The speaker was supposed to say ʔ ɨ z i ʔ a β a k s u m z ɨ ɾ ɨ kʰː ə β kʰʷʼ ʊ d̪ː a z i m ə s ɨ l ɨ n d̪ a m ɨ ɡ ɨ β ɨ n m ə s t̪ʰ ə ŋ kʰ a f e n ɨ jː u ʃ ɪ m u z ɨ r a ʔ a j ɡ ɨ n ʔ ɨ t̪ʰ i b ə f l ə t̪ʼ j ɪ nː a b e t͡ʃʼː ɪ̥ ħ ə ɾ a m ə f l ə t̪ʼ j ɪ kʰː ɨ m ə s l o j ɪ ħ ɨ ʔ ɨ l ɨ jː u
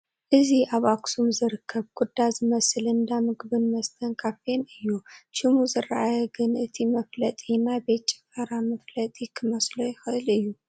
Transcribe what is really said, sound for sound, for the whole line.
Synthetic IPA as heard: ʔ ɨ z i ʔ a β a k s u m z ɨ ɾ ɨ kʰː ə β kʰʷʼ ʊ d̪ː a z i m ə s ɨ l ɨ n d̪ a m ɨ ɡ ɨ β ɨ n m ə s t̪ʰ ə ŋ kʰ a f e n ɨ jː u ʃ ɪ m u z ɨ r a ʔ a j ɡ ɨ n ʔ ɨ t̪ʰ i m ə f l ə t̪ʼ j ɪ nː a b e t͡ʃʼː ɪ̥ f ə ɾ a m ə f l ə t̪ʼ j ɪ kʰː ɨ m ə s l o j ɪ x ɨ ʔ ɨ l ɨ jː u